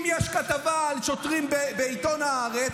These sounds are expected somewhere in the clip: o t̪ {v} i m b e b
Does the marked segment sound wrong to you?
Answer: yes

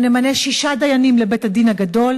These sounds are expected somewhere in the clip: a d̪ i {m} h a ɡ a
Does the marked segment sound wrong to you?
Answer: yes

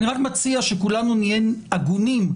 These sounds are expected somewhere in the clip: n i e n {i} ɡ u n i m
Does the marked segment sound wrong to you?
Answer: yes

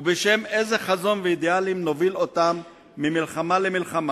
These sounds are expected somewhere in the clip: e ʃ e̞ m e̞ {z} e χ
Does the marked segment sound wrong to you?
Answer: no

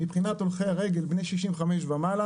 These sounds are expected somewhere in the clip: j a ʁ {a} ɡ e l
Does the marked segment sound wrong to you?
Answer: yes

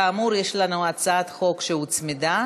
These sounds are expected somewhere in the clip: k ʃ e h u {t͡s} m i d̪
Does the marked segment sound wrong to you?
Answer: no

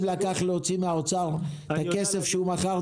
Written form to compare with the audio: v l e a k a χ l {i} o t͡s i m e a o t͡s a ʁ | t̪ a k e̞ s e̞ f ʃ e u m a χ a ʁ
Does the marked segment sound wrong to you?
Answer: yes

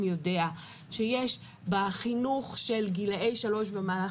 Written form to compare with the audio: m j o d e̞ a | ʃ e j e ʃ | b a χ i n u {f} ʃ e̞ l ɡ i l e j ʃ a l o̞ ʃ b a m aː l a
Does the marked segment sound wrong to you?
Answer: yes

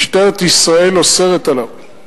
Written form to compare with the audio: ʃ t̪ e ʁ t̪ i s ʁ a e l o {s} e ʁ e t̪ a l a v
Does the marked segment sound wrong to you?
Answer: no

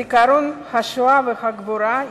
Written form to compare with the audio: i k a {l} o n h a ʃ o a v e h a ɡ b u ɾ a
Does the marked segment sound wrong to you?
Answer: yes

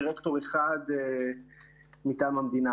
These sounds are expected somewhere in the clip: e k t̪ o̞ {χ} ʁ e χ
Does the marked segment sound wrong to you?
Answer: yes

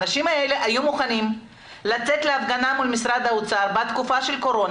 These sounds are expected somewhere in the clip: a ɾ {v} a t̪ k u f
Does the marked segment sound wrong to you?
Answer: yes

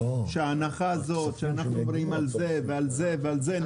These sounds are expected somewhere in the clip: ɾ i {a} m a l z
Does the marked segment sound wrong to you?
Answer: yes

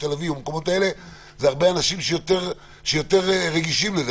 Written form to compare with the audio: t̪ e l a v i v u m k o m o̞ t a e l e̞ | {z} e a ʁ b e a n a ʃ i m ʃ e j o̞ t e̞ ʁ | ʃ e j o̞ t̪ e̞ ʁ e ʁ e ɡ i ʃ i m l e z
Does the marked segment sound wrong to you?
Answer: no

